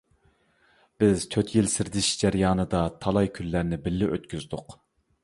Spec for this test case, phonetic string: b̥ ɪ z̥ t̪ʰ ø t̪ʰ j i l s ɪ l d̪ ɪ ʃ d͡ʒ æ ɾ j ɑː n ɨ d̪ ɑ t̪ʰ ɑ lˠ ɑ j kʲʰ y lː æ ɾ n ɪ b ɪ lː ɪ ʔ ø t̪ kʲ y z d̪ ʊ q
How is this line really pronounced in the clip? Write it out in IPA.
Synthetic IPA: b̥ ɪ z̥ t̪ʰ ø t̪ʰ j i l s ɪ ɾ d̪ ɪ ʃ d͡ʒ æ ɾ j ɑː n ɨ d̪ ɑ t̪ʰ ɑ lˠ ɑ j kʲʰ y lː æ ɾ n ɪ b ɪ lː ɪ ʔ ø t̪ kʲ y z d̪ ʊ q